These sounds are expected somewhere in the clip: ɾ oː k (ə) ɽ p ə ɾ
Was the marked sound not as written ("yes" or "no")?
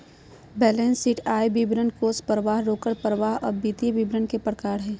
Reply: no